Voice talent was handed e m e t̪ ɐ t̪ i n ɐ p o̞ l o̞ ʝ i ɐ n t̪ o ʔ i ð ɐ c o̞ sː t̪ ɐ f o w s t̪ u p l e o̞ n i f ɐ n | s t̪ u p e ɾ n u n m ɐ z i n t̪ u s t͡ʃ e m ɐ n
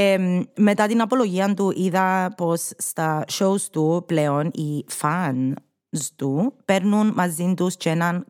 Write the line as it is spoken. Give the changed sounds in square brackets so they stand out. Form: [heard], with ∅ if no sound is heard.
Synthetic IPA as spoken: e m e t̪ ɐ t̪ i n ɐ p o̞ l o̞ ʝ i ɐ n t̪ [u] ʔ i ð ɐ [p] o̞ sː t̪ ɐ [ʃ] o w s t̪ u p l e o̞ n i f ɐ n | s t̪ u p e ɾ n u n m ɐ z i n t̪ u s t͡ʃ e [n] ɐ n